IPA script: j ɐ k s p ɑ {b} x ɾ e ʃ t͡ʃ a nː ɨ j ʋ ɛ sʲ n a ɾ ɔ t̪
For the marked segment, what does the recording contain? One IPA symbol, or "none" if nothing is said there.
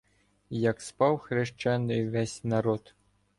w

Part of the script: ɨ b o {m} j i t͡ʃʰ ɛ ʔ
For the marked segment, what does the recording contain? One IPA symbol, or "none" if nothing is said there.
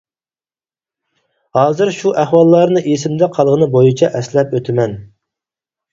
none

